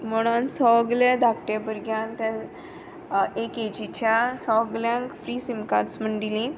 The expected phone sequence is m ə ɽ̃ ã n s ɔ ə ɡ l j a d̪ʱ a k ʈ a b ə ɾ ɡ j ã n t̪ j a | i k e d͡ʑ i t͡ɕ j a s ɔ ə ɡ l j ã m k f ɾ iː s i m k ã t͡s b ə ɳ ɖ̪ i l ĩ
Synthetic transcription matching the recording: m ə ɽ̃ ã n s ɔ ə ɡ l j a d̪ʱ a k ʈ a b ə ɾ ɡ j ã n t̪ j a | e k e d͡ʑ i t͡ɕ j a s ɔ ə ɡ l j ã ŋ k f ɾ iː s i m k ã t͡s m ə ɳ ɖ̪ i l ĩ

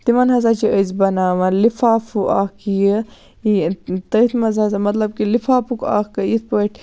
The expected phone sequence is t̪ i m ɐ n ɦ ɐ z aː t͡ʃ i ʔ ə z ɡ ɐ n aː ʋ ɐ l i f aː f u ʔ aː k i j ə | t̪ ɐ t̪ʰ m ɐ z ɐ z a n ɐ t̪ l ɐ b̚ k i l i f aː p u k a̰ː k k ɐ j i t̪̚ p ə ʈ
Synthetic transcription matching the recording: t̪ i m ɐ n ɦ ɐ z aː t͡ʃ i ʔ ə z b ɐ n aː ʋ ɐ l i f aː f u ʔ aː k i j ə | t̪ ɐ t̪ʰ m ɐ z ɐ z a m ɐ t̪ l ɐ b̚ k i l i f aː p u k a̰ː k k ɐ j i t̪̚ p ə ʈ

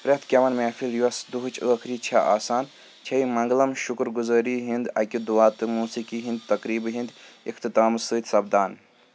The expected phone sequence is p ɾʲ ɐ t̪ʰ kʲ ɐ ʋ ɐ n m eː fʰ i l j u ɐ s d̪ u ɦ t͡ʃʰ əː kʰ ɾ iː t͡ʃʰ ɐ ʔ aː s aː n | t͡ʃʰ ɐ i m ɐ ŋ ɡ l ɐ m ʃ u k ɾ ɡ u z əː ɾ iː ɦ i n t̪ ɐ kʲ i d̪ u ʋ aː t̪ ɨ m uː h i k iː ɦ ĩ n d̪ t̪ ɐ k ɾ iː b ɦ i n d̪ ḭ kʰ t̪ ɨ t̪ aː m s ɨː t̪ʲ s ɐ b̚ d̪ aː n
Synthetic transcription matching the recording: p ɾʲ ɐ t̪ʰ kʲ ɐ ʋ ɐ n m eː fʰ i l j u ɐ s d̪ u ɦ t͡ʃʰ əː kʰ ɾ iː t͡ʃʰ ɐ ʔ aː s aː n | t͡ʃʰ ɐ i m ɐ ŋ ɡ l ɐ m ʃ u k ɾ ɡ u z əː ɾ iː ɦ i n d̪ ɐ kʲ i d̪ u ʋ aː t̪ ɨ m uː s i k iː ɦ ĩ n d̪ t̪ ɐ k ɾ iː b ɦ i n d̪ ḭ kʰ t̪ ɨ t̪ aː m s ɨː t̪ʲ s ɐ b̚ d̪ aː n

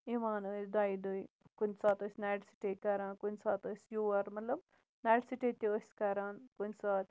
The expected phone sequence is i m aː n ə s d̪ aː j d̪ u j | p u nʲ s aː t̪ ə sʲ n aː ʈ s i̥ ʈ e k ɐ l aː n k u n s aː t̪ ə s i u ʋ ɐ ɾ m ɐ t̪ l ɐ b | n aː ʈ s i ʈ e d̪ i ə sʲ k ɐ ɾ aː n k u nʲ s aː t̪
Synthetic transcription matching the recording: i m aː n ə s d̪ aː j d̪ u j | k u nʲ s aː t̪ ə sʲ n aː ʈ s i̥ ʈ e k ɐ ɾ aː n k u n s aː t̪ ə s j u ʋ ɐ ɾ m ɐ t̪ l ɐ b | n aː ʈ s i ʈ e t̪ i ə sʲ k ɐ ɾ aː n k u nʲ s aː t̪

